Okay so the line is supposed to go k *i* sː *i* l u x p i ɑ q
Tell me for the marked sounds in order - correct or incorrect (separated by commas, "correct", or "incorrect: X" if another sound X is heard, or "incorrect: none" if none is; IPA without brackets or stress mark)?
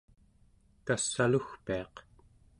incorrect: a, incorrect: a